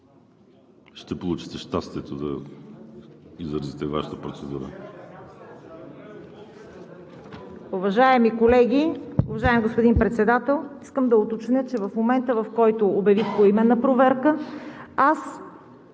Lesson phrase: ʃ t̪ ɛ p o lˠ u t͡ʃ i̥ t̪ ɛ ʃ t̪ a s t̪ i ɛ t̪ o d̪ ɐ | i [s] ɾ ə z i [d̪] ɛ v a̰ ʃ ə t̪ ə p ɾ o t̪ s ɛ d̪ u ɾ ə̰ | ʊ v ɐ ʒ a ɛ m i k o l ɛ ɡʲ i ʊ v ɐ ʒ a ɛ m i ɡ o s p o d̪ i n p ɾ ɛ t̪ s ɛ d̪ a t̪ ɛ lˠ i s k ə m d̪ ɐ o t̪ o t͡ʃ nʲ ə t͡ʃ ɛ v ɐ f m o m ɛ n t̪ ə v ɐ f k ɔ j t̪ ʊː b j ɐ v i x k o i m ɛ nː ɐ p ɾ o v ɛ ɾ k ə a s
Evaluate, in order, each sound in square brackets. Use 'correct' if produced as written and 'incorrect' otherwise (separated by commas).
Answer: incorrect, incorrect